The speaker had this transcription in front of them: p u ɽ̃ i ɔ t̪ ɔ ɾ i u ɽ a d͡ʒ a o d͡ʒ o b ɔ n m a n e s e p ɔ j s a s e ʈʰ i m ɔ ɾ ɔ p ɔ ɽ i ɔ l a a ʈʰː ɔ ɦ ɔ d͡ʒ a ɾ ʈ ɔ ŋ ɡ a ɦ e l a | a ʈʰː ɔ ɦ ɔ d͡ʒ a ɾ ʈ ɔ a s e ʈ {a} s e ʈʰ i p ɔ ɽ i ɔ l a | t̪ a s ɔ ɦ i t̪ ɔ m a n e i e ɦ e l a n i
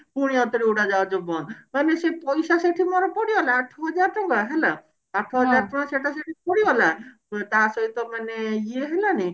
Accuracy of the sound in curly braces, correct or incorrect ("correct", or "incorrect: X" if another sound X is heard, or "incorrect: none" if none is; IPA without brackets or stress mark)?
correct